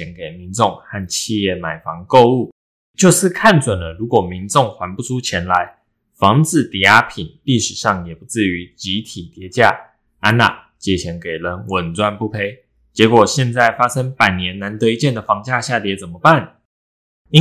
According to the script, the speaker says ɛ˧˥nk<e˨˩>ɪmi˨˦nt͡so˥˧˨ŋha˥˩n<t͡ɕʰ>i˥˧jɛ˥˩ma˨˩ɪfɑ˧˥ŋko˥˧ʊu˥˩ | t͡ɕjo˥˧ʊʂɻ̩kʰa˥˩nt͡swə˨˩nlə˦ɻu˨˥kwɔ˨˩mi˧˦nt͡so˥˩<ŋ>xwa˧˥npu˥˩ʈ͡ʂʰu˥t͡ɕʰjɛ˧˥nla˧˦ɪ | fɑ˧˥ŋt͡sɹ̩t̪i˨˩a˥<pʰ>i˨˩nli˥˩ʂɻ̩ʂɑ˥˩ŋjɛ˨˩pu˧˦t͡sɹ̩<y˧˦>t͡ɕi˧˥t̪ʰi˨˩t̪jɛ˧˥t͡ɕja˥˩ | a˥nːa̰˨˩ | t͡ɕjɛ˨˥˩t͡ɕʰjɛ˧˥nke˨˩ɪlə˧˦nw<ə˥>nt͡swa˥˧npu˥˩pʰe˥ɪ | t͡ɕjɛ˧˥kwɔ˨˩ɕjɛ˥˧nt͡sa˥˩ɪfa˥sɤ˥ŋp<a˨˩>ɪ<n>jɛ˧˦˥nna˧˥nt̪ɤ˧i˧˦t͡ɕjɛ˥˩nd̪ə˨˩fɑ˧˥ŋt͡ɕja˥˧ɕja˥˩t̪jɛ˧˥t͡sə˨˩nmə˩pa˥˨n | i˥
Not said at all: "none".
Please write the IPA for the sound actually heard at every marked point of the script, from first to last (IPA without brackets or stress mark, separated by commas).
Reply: e˨˩, t͡ɕʰ, ŋ, pʰ, y˧˦, ə˨˩, a˨˩, n